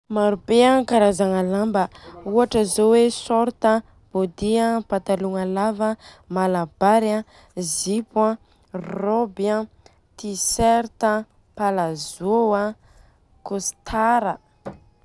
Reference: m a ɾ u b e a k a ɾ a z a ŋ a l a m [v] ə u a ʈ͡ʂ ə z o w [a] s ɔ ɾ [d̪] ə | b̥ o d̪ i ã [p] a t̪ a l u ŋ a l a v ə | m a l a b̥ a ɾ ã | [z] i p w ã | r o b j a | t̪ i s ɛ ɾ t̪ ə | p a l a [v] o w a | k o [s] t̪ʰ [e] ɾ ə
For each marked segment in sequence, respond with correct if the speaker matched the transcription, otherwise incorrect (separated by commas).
incorrect, incorrect, incorrect, correct, correct, incorrect, correct, incorrect